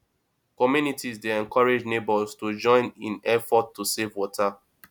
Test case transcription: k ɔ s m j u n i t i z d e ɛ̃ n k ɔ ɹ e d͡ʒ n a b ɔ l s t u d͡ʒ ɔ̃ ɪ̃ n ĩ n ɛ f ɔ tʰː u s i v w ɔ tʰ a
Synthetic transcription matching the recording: k ɔ m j u n i t i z d e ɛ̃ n k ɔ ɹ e d͡ʒ n e b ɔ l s t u d͡ʒ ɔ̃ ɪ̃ n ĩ n ɛ f ɔ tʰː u s e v w ɔ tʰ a